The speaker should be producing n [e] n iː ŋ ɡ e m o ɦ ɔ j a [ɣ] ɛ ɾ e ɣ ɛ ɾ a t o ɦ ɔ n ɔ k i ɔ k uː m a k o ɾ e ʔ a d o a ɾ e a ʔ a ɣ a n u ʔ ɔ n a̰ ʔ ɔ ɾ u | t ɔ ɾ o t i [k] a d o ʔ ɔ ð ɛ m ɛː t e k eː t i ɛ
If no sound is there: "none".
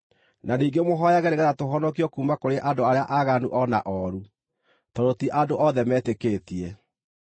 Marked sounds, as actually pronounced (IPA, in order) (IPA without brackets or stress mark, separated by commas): a, ɣ, ʔ